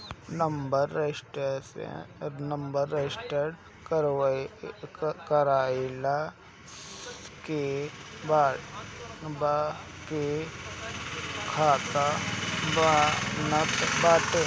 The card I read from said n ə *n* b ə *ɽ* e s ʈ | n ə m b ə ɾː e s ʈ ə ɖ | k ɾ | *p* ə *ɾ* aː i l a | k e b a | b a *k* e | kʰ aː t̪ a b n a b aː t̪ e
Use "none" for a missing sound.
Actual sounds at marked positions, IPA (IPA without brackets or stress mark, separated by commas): m, ɾ, k, ɾ, k